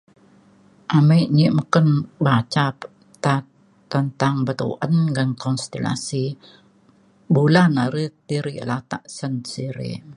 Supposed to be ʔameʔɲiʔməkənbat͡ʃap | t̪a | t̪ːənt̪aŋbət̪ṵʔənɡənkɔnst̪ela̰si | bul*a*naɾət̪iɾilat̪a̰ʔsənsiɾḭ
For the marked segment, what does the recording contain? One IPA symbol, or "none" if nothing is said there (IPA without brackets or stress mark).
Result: a